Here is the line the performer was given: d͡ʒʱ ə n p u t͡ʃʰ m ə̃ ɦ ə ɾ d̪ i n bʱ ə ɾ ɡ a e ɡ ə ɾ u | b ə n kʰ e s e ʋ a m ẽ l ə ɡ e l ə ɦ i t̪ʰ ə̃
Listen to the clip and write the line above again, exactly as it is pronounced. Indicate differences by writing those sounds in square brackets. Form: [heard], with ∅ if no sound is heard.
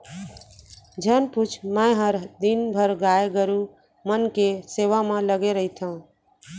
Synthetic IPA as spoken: d͡ʒʱ ə n p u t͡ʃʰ m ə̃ ɦ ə ɾ d̪ i n bʱ ə ɾ ɡ a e ɡ ə ɾ u | [m] ə n [k] e s e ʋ a m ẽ l ə ɡ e [ɾ] ə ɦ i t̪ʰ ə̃